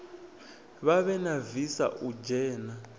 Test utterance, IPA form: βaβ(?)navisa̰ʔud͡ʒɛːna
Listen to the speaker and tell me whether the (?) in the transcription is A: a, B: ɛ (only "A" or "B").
B